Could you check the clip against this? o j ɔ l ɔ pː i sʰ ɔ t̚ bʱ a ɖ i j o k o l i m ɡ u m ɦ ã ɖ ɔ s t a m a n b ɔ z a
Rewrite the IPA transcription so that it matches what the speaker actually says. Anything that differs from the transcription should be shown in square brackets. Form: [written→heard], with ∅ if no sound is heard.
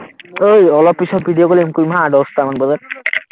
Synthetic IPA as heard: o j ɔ l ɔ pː i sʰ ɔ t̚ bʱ [a→i] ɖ i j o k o l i m [ɡ→k] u m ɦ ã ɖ ɔ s t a m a n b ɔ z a